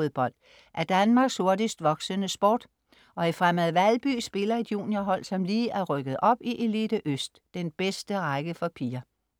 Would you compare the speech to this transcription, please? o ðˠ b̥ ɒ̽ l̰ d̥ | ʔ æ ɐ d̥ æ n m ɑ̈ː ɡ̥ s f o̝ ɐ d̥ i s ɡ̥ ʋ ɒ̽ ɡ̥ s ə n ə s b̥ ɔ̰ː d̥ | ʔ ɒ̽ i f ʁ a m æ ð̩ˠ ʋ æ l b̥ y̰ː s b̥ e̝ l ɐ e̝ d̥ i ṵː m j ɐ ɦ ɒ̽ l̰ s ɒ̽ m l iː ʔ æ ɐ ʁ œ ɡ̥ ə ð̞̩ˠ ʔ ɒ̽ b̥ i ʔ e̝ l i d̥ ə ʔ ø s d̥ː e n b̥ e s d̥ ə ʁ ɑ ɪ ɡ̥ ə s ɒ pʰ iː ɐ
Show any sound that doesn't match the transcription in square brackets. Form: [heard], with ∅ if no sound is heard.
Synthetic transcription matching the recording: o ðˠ b̥ ɒ̽ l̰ d̥ | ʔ æ ɐ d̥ æ n m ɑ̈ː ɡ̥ s [h] o̝ ɐ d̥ i s [d̥] ʋ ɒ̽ ɡ̥ s ə n ə s b̥ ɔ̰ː d̥ | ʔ ɒ̽ i f ʁ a m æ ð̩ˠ ʋ æ l b̥ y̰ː s b̥ e̝ l ɐ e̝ d̥ [j] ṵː [n] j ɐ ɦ ɒ̽ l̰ s ɒ̽ m l iː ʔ æ ɐ ʁ œ ɡ̥ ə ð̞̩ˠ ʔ ɒ̽ b̥ i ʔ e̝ l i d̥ ə ʔ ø s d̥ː e n b̥ e s d̥ ə ʁ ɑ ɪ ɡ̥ ə [f] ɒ pʰ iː ɐ

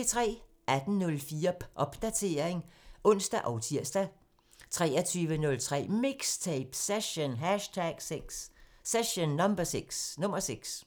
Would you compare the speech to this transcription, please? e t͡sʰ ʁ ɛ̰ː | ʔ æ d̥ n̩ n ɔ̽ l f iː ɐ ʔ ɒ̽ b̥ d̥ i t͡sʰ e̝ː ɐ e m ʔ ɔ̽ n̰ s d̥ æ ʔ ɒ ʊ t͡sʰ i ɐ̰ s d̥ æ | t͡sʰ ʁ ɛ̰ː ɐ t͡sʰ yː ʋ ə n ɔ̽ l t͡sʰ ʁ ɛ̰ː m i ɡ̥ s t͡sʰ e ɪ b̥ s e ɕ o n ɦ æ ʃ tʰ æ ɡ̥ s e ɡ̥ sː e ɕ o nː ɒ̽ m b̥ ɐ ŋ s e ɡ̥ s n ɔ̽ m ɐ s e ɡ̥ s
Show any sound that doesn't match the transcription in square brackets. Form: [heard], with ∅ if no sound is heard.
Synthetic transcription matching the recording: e t͡sʰ ʁ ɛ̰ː | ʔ æ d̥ n̩ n ɔ̽ l f iː ɐ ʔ ɒ̽ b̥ d̥ [æ] t͡sʰ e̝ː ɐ e [ŋ] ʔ ɔ̽ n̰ s d̥ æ ʔ ɒ ʊ t͡sʰ i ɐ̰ s d̥ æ | t͡sʰ ʁ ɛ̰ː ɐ t͡sʰ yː ʋ ə n ɔ̽ l t͡sʰ ʁ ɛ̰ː m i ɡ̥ s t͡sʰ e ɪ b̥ s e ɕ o n ɦ æ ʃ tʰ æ ɡ̥ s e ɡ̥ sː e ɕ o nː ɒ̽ m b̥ ɐ [∅] s e ɡ̥ s n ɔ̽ m ɐ s e ɡ̥ s

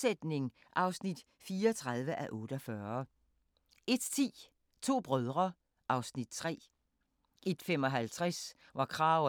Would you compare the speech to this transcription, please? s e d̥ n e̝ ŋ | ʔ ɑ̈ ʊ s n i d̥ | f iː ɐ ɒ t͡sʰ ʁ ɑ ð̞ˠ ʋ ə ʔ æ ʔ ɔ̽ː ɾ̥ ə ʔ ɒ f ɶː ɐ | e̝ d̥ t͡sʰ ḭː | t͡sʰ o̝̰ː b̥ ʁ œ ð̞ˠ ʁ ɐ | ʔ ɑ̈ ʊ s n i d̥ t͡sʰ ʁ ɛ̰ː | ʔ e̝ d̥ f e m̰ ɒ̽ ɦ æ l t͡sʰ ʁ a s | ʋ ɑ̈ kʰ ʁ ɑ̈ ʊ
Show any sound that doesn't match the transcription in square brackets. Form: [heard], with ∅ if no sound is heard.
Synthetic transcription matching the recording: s e d̥ n e̝ ŋ | ʔ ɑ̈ ʊ s n i d̥ | f iː ɐ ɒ t͡sʰ ʁ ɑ ð̞ˠ ʋ ə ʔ æ ʔ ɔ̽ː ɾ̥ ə [∅] ɒ f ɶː ɐ | e̝ d̥ t͡sʰ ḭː | t͡sʰ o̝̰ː b̥ ʁ œ ð̞ˠ ʁ ɐ | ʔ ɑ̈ ʊ s n i d̥ t͡sʰ ʁ ɛ̰ː | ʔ e̝ d̥ f e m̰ ɒ̽ ɦ æ l t͡sʰ ʁ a s | ʋ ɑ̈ kʰ ʁ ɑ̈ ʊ

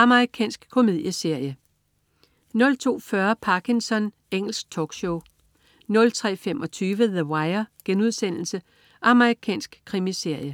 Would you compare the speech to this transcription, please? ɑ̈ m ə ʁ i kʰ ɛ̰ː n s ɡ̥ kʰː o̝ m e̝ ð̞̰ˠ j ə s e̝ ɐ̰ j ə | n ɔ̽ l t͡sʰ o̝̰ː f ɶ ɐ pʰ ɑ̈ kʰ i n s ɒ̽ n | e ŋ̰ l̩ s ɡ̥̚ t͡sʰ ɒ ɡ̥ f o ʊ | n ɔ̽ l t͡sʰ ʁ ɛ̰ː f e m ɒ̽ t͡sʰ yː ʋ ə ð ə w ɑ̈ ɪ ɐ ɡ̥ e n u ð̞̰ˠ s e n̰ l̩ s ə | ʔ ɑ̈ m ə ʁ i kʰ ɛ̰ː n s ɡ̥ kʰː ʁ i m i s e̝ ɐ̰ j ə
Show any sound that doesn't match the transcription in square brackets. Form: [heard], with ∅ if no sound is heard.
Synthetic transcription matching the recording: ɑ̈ m ə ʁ i kʰ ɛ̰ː n s ɡ̥ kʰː o̝ m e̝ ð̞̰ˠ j ə s e̝ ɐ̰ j ə | n ɔ̽ l t͡sʰ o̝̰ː f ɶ ɐ pʰ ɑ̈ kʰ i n s ɒ̽ n | e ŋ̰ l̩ s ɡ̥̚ t͡sʰ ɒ ɡ̥ [ɕ] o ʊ | n ɔ̽ l t͡sʰ ʁ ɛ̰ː f e m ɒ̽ t͡sʰ yː ʋ ə ð ə w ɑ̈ ɪ ɐ ɡ̥ e n u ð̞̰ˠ s e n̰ l̩ s ə | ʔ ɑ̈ m ə ʁ i kʰ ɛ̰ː n s ɡ̥ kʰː ʁ i m i s e̝ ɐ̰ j ə

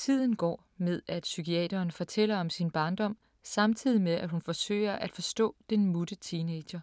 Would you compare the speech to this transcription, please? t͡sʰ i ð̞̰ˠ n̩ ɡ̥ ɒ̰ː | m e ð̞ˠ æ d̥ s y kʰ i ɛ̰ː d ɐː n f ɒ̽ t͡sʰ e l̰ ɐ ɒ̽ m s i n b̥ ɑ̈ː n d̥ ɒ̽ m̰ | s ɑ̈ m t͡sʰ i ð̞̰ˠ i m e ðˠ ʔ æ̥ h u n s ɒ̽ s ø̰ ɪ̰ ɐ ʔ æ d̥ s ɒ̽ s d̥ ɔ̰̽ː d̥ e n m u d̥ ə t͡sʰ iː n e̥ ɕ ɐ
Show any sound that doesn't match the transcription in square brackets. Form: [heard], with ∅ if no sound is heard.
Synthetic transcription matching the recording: t͡sʰ i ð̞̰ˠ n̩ ɡ̥ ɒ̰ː | m e ð̞ˠ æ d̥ s y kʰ i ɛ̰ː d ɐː n f ɒ̽ t͡sʰ e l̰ ɐ ɒ̽ m s i n b̥ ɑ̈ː n d̥ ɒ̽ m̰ | s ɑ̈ m t͡sʰ i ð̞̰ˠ i m e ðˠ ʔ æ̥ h u n [f] ɒ̽ s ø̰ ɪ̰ ɐ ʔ æ d̥ [f] ɒ̽ s d̥ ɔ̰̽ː d̥ e n m u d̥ ə t͡sʰ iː n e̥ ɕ ɐ

